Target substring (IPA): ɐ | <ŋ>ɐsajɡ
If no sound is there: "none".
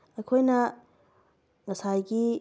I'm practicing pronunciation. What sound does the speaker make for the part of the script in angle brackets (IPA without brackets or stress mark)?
ŋ